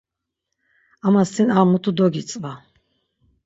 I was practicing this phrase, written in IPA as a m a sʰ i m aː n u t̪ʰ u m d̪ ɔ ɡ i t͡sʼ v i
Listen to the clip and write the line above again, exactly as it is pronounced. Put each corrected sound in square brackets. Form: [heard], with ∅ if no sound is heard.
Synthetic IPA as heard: a m a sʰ i [n] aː [m] u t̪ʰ u [∅] d̪ ɔ ɡ i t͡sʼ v [a]

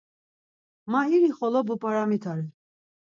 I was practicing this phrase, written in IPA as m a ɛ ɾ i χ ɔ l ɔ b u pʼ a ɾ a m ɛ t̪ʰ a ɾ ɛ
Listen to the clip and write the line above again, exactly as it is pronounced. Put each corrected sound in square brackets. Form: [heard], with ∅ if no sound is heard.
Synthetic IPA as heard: m a [i] ɾ i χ ɔ l ɔ b u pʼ a ɾ a m [i] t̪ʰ a ɾ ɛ

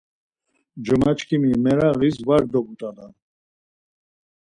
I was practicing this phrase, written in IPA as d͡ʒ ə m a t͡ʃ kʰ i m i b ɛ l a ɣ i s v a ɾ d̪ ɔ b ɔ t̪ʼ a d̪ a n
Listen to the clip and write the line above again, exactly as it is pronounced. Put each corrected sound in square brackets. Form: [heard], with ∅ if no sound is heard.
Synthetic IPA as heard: d͡ʒ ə m a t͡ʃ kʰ i m i [m] ɛ [ɾ] a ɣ i s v a ɾ d̪ ɔ b [u] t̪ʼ a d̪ a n

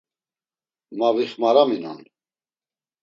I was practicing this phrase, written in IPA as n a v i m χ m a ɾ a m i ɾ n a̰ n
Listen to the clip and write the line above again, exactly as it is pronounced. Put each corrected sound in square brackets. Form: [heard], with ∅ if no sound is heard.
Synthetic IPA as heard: [m] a v i [∅] χ m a ɾ a m i [∅] n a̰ n

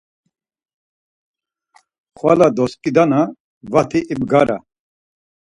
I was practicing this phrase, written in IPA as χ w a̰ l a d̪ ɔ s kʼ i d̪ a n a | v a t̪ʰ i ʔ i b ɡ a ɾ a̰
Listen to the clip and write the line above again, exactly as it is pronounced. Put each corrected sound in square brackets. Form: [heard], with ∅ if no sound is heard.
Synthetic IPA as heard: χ w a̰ l a d̪ ɔ s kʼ i d̪ a n a | v a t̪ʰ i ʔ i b ɡ a ɾ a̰

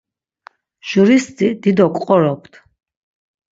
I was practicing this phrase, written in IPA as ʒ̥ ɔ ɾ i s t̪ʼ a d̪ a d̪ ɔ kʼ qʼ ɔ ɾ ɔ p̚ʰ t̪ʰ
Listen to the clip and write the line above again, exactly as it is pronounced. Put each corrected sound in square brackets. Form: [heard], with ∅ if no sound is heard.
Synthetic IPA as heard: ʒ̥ [u] ɾ i s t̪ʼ [i] d̪ [i] d̪ ɔ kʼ qʼ ɔ ɾ ɔ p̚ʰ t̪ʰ

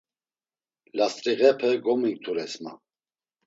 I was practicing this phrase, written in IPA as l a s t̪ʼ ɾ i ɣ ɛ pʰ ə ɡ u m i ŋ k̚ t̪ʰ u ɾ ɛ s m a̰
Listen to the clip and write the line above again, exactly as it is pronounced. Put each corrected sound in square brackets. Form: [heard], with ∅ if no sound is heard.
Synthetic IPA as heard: l a s t̪ʼ ɾ i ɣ ɛ pʰ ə ɡ [ɔ] m i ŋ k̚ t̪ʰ u ɾ ɛ s m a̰

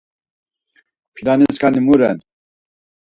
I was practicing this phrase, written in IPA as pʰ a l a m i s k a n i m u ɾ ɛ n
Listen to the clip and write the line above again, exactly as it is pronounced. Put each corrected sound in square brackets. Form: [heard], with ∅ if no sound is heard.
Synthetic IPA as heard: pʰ [i] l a [n] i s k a n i m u ɾ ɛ n

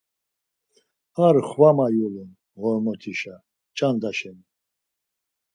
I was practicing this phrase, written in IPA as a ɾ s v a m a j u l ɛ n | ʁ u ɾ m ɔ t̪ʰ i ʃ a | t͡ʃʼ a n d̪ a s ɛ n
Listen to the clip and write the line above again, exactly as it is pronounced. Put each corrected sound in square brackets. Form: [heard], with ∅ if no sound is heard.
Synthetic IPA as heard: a ɾ [χ] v a m a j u l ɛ n | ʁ [ɔ] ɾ m ɔ t̪ʰ i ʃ a | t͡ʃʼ a n d̪ a [ʃ] ɛ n

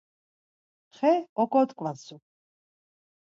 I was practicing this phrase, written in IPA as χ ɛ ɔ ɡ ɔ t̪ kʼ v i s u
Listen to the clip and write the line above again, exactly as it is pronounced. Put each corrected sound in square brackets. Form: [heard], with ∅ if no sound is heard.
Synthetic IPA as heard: χ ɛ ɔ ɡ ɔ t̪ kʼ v [a] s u

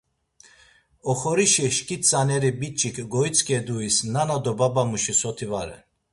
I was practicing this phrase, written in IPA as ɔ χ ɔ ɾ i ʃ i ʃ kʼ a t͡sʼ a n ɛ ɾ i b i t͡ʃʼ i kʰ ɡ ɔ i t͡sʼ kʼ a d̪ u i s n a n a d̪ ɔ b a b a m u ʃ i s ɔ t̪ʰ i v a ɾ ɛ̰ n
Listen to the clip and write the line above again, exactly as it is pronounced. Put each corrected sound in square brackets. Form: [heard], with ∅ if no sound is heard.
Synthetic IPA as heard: ɔ χ ɔ ɾ i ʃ i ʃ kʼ [i] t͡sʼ a n ɛ ɾ i b i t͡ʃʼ i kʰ ɡ ɔ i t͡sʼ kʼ [ɛ] d̪ u i s n a n a d̪ ɔ b a b a m u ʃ i s ɔ t̪ʰ i v a ɾ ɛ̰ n

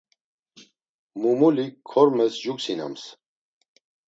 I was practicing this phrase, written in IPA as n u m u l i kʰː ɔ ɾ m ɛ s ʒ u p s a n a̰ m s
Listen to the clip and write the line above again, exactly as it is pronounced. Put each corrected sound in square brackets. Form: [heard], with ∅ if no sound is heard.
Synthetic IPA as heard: [m] u m u l i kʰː ɔ ɾ m ɛ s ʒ u [k] s [i] n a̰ m s

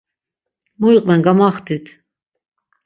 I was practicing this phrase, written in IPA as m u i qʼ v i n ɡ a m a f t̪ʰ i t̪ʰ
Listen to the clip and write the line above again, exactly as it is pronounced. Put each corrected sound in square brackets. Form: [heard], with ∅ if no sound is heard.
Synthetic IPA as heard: m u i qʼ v [ɛ] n ɡ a m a [χ] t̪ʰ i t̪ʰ

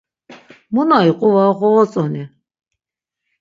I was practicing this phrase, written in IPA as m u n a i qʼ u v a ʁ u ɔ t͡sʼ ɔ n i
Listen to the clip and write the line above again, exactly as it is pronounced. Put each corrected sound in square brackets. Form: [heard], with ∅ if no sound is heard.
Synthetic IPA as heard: m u n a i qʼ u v a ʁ [ɔ] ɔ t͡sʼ ɔ n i

